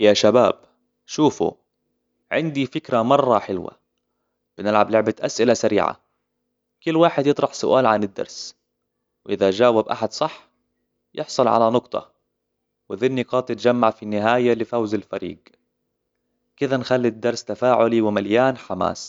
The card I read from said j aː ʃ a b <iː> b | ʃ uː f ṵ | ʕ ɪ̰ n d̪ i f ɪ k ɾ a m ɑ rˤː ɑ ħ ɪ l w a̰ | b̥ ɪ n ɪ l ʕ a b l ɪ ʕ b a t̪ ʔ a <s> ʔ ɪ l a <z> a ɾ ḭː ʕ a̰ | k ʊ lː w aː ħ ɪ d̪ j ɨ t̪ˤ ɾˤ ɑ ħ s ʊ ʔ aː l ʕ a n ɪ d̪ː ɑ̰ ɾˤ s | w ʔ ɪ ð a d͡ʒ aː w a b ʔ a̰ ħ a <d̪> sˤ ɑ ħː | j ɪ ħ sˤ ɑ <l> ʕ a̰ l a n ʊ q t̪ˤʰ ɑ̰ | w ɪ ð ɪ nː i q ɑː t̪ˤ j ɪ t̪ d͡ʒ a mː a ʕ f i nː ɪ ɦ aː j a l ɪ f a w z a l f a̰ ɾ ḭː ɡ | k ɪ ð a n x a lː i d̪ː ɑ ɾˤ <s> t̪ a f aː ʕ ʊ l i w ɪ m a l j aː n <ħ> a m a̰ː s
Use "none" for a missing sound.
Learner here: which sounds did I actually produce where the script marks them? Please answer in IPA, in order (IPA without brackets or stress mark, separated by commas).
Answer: aː, s, s, d̪, l, s, ħ